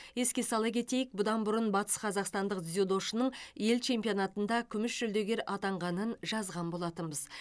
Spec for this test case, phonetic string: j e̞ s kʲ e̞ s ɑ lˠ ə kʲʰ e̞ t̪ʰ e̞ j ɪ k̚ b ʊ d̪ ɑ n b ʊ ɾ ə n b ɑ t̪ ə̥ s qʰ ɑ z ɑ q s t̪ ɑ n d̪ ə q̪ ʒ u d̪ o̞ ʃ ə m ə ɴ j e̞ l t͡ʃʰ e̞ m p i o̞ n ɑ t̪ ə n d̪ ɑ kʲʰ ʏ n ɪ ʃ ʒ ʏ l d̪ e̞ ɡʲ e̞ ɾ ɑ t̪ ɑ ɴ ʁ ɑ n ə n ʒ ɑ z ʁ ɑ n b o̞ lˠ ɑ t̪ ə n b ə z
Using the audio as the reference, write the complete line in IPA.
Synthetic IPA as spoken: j e̞ s kʲ e̞ s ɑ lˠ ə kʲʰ e̞ t̪ e̞ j ɪ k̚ b ʊ d̪ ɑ n b ʊ ɾ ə n b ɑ t̪ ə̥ s qʰ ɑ z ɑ q s t̪ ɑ n d̪ ə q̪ z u d̪ o̞ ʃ ə n ə ɴ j e̞ l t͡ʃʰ e̞ m p i o̞ n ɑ t̪ ə n d̪ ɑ kʲʰ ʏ m ɪ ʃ ʒ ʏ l d̪ e̞ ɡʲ e̞ ɾ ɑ t̪ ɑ ɴ ʁ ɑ n ə n ʒ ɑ z ʁ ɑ n b o̞ lˠ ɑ t̪ ə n b ə z